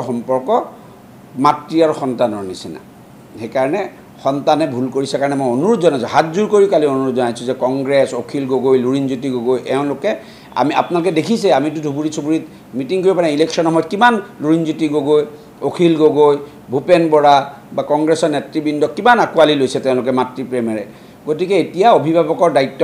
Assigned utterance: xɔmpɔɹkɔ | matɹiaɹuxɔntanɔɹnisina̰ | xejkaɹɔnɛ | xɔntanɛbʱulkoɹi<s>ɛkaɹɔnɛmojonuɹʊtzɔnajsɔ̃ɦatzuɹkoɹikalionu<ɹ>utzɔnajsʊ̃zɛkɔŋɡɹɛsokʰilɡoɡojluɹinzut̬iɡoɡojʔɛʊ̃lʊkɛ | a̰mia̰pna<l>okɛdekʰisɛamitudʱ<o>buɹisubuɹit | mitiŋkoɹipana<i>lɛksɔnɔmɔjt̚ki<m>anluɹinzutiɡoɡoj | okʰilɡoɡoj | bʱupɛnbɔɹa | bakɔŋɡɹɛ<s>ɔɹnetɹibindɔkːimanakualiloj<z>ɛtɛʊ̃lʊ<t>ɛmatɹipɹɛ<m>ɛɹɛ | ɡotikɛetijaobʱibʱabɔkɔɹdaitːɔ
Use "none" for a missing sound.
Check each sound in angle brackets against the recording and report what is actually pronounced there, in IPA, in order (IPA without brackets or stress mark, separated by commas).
s, ɹ, l, u, i, m, s, s, k, m